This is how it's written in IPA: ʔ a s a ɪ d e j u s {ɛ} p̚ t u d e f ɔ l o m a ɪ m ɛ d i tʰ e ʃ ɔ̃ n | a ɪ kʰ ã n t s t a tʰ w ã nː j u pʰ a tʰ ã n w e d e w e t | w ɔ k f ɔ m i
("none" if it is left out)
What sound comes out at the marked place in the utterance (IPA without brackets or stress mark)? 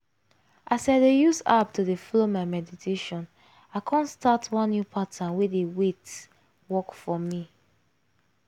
a